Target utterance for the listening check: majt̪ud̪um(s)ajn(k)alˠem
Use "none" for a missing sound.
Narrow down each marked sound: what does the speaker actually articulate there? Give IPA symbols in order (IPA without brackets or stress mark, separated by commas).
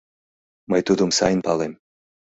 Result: s, p